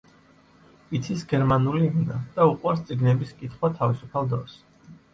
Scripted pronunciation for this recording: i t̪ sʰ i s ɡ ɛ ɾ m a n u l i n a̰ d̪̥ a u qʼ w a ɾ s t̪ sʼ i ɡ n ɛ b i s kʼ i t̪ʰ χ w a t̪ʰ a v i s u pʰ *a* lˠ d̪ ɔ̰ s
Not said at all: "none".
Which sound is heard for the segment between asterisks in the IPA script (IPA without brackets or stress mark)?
a